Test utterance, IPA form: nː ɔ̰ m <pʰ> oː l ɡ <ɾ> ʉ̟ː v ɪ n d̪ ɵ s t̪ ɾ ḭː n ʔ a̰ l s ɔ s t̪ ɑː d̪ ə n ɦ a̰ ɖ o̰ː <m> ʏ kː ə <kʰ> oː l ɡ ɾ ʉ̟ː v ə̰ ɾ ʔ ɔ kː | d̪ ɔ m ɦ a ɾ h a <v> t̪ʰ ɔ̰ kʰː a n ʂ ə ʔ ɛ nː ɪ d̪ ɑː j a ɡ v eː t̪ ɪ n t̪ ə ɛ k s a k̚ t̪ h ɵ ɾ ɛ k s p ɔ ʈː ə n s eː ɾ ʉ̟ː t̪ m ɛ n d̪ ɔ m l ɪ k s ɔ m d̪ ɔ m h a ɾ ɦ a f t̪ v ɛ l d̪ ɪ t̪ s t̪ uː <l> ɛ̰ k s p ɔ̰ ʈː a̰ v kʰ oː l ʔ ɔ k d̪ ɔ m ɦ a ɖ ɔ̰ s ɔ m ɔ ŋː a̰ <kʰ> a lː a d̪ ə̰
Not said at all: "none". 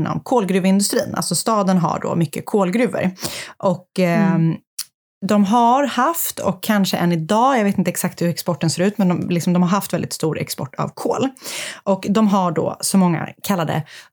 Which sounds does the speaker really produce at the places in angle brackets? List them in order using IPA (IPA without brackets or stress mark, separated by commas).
kʰ, ɾ, m, kʰ, f, ɾ, kʰ